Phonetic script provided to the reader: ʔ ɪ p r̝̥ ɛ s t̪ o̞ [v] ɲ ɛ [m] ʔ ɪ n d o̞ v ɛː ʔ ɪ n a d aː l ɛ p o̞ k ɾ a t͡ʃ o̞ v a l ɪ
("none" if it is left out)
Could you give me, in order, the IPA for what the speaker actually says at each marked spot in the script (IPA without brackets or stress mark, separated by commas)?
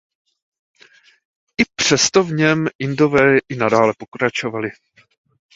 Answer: v, m